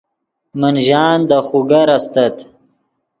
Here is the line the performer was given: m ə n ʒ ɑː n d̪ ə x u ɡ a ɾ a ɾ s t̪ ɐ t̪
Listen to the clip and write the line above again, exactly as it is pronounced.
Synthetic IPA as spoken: m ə n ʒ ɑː n d̪ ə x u ɡ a ɾ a s t̪ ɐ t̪